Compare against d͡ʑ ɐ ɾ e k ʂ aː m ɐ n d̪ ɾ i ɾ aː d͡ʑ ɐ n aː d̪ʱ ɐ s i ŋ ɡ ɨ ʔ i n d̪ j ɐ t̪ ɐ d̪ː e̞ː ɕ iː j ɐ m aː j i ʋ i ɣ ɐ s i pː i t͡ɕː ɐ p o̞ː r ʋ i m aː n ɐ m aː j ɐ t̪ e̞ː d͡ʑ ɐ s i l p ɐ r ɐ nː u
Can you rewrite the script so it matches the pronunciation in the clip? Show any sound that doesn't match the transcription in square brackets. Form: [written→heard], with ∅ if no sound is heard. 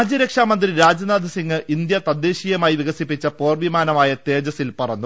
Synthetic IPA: d͡ʑ ɐ ɾ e k ʂ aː m ɐ n d̪ [ɾ→r] i ɾ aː d͡ʑ ɐ n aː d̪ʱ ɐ s i ŋ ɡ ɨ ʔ i n d̪ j ɐ t̪ ɐ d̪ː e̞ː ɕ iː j ɐ m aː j i ʋ i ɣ ɐ s i pː i t͡ɕː ɐ p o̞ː r ʋ i m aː n ɐ m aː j ɐ t̪ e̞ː d͡ʑ ɐ s i l p ɐ r ɐ nː u